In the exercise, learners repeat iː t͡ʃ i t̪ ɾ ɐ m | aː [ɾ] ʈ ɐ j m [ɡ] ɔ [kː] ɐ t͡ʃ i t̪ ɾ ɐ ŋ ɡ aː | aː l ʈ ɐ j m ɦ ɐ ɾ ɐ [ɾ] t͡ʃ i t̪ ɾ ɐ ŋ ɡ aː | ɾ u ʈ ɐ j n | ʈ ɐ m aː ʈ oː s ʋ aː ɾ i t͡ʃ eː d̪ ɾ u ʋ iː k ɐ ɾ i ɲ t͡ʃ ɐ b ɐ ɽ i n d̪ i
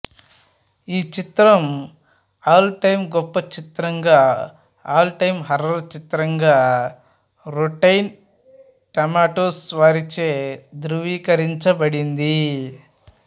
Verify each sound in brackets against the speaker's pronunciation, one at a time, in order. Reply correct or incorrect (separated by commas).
incorrect, correct, incorrect, correct